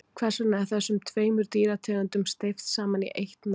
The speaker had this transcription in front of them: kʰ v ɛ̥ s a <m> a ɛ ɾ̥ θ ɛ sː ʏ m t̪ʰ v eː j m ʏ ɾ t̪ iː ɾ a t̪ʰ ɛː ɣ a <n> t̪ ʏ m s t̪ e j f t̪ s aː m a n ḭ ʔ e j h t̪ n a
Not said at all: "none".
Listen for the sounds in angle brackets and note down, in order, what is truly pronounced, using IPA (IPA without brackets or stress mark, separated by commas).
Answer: n, n